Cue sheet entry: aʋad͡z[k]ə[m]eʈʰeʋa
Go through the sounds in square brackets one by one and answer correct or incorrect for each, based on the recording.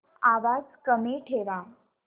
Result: correct, correct

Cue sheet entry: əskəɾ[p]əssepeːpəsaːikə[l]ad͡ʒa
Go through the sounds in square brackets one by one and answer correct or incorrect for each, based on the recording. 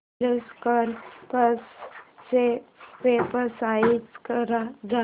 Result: correct, incorrect: ɾ

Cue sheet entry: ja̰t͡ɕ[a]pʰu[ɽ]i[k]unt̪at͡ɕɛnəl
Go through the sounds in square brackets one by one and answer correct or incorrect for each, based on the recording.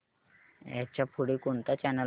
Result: correct, correct, correct

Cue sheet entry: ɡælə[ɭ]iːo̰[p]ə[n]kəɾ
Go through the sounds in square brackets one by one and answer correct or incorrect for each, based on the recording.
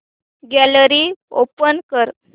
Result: incorrect: ɾ, correct, correct

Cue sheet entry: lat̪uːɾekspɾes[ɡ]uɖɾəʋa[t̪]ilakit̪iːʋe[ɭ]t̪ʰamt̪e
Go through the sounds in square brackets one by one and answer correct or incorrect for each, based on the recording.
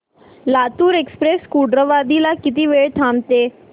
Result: incorrect: k, incorrect: d̪, correct

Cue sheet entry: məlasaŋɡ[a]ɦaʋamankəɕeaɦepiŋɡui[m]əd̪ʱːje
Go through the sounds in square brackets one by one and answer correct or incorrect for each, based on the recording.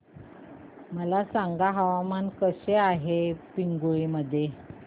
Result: correct, correct

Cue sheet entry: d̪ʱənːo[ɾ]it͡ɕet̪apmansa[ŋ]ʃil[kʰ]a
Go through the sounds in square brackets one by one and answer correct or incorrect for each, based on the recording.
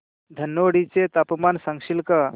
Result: incorrect: ɽ, correct, incorrect: k

